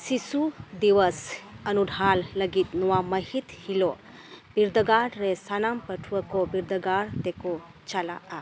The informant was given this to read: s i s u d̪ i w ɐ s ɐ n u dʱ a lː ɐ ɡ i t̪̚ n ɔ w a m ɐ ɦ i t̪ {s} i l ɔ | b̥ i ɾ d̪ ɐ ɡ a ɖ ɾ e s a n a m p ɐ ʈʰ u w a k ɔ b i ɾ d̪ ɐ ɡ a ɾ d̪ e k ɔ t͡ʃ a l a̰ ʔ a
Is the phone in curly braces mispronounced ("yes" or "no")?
yes